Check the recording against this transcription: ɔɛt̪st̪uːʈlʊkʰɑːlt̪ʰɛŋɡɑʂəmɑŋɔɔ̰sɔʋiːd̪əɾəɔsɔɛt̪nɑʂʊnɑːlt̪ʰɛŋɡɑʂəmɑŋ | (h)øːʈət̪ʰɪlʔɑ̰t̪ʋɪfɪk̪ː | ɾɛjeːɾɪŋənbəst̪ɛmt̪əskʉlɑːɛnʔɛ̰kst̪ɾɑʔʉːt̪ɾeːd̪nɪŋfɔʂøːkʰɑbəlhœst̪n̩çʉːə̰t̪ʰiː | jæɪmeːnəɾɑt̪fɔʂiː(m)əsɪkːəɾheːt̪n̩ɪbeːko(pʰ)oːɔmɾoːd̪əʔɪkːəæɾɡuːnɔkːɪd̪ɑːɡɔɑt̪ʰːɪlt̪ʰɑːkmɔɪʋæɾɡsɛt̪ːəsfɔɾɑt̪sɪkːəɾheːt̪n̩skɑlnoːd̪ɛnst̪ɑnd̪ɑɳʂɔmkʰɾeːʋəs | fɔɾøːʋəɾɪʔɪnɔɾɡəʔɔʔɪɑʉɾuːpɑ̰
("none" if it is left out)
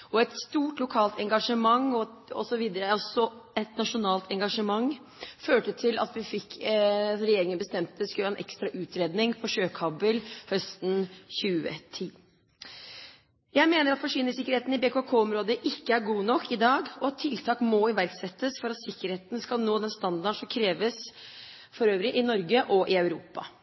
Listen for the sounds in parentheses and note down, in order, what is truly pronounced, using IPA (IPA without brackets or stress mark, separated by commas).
f, n, kʰ